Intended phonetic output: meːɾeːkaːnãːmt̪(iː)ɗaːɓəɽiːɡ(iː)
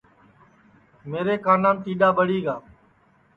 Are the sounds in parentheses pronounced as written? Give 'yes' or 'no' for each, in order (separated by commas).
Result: yes, no